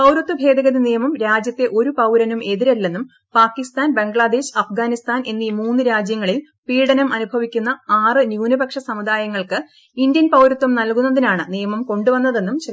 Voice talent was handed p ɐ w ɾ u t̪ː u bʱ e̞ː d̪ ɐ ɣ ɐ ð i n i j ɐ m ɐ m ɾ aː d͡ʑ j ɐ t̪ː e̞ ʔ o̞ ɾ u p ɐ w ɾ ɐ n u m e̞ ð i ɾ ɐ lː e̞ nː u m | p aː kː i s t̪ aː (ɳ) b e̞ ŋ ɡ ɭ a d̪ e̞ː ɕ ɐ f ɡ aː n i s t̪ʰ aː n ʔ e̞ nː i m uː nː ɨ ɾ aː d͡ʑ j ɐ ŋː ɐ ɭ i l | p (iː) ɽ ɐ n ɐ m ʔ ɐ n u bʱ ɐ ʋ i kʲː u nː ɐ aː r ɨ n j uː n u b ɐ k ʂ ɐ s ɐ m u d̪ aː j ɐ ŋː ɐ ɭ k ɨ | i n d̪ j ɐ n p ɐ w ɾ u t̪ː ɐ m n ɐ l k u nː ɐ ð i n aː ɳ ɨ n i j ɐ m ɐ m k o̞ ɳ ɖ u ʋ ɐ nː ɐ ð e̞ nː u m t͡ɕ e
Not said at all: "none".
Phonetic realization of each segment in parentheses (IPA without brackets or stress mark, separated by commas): n, iː